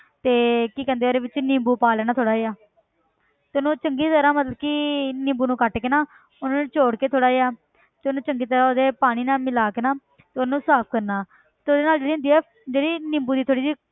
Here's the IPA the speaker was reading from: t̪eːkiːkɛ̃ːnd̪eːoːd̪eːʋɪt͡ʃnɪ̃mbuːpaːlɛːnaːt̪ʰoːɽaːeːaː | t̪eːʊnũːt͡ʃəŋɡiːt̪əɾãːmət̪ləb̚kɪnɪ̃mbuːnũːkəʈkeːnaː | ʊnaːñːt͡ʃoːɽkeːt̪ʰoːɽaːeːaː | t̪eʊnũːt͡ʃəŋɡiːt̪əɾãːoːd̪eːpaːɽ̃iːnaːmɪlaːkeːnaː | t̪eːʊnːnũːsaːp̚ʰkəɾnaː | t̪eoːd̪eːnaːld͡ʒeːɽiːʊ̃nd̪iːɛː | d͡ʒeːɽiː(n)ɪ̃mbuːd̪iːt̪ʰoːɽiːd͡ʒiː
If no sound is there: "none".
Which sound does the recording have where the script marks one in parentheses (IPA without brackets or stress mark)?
n